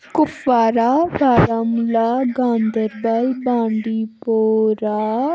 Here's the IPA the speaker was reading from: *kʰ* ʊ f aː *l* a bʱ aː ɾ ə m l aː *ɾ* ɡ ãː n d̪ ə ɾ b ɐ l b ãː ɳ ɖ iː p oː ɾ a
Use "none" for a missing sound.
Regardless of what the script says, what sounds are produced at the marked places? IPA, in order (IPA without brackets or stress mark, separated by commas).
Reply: k, ɾ, none